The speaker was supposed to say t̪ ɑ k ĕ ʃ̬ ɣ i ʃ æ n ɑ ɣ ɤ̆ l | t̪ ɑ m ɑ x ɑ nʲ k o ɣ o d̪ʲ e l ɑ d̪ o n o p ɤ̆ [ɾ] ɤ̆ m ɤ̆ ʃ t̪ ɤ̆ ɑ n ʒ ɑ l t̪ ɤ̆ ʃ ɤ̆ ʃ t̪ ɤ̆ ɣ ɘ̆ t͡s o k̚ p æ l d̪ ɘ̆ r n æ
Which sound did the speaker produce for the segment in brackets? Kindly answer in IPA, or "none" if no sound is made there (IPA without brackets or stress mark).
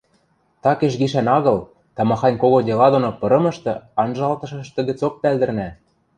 ɾ